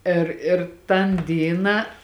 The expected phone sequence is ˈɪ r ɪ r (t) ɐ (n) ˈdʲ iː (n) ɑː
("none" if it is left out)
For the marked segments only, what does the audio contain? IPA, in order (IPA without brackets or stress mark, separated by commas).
t, n, n